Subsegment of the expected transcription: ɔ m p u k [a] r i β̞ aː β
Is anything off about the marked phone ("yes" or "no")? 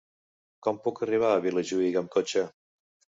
yes